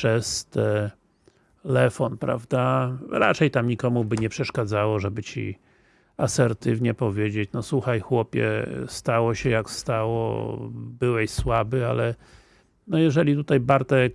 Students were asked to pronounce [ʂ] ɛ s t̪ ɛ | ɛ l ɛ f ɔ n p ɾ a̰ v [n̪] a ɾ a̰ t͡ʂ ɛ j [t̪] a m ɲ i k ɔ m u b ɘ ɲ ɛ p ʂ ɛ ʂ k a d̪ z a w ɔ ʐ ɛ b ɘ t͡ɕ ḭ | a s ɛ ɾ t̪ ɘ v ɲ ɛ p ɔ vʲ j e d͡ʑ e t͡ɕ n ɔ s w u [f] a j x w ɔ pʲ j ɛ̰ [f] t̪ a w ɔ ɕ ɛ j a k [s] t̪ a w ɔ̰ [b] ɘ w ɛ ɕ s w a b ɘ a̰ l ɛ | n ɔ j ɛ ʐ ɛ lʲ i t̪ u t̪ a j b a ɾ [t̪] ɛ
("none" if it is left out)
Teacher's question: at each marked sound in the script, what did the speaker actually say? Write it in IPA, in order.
ʂ, d̪, t̪, x, s, s, b, t̪

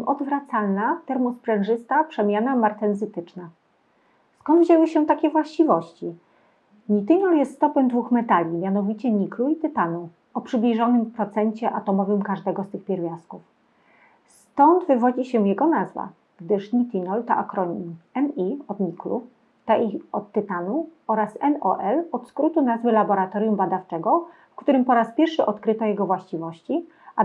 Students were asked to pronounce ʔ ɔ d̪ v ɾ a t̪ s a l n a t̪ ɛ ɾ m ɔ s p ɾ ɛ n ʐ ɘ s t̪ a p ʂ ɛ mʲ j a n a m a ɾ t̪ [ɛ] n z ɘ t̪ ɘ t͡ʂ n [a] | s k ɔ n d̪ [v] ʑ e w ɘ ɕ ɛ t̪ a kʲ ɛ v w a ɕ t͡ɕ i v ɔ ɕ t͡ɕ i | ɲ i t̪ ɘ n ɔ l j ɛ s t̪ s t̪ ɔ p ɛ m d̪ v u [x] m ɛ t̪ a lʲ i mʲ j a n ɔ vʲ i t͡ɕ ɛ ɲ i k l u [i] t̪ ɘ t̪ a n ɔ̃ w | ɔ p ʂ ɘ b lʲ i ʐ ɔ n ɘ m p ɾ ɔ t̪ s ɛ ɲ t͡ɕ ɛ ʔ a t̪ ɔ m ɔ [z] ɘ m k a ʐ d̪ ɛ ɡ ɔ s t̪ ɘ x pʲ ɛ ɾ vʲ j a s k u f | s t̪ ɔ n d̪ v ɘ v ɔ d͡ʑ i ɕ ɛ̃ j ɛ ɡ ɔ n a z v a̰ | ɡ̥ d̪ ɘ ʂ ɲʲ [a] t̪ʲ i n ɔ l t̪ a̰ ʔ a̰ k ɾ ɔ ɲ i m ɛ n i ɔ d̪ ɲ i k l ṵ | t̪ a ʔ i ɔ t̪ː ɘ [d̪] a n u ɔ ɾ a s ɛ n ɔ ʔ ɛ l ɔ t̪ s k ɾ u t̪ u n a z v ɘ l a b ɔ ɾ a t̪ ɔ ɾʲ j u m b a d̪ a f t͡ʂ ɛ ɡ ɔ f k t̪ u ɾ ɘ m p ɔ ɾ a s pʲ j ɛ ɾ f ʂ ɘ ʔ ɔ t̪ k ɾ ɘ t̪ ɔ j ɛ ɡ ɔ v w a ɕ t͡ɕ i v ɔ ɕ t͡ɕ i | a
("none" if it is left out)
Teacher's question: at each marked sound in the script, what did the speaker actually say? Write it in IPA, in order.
ɛ, a, v, x, i, v, i, t̪

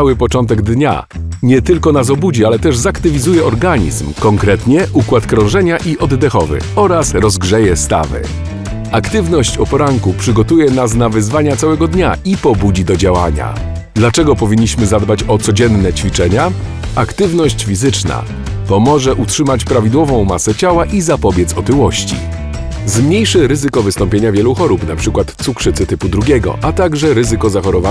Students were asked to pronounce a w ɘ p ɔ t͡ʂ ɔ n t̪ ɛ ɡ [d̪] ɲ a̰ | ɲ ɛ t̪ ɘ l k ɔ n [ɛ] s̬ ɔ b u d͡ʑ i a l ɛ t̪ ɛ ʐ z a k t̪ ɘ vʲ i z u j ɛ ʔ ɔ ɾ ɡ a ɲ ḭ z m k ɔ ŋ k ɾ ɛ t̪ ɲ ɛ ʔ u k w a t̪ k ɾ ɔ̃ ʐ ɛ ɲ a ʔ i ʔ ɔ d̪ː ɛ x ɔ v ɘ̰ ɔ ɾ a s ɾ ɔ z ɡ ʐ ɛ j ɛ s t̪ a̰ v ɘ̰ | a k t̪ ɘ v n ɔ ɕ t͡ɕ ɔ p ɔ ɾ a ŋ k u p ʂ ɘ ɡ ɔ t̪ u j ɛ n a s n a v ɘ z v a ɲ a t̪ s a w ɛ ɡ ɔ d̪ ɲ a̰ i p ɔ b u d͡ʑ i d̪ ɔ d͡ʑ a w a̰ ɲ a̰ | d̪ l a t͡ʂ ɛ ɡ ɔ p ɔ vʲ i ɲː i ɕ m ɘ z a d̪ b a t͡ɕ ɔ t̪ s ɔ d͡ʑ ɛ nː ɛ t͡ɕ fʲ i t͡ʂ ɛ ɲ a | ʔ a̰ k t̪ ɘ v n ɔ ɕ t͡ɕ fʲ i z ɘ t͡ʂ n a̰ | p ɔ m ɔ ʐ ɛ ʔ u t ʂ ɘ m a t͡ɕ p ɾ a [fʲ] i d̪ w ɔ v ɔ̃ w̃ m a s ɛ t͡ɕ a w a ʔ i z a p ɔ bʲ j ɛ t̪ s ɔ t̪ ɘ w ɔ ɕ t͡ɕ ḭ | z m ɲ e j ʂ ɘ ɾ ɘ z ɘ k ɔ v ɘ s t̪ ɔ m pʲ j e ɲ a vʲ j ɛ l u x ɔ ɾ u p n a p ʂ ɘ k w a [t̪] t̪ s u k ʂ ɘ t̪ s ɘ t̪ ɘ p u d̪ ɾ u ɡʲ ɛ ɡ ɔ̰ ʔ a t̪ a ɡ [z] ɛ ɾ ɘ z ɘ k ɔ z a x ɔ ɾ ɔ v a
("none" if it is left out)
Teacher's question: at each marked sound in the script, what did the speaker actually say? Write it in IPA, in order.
d̪, a, vʲ, t̪, ʐ

